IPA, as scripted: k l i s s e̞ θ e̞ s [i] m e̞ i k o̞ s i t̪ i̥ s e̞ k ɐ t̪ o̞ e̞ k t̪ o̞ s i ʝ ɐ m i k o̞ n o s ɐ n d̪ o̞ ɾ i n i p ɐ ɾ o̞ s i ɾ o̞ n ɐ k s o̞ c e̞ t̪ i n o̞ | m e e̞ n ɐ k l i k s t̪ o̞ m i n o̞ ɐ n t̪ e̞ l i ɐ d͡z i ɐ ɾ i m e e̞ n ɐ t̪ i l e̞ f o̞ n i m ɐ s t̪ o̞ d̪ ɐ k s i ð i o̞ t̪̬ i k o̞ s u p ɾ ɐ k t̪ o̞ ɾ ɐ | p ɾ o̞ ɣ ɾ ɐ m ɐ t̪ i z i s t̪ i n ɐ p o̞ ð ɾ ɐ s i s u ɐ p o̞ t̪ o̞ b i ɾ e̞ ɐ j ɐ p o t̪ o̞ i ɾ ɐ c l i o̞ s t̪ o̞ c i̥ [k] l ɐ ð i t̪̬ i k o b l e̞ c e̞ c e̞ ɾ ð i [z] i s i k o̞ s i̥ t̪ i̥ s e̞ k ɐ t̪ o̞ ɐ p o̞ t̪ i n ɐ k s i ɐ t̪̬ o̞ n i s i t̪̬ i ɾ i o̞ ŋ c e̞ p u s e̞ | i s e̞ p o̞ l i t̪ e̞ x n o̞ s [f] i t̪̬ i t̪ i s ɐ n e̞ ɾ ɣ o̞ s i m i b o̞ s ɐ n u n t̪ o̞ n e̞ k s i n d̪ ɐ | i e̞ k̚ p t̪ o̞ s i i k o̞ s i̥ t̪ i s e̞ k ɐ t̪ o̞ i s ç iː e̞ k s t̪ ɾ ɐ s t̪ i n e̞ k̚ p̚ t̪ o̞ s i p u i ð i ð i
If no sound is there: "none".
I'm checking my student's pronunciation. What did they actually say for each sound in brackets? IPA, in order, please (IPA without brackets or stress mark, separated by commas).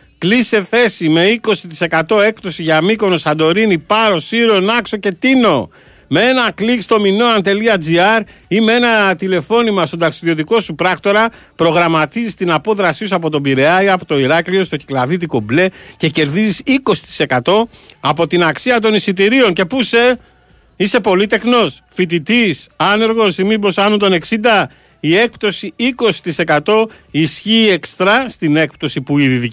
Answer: i, k, z, f